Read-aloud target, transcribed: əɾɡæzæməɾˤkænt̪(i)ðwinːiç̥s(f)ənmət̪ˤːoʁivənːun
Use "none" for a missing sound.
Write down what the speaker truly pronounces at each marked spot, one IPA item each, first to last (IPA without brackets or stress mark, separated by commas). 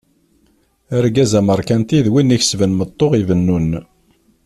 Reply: i, v